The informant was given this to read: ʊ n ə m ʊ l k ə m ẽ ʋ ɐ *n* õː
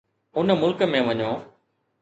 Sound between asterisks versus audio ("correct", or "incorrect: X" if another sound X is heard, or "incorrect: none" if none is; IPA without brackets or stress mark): incorrect: ɲ